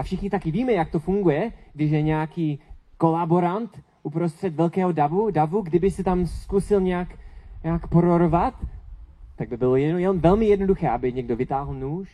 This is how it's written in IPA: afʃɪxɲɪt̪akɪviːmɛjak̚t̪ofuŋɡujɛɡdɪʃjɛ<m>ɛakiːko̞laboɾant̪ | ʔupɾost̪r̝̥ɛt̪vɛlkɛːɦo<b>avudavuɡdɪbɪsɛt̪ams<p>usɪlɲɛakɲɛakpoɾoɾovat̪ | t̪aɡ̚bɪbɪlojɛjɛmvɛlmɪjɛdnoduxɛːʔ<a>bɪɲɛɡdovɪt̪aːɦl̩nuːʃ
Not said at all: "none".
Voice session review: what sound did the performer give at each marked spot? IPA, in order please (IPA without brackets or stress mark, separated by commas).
ɲ, d, k, a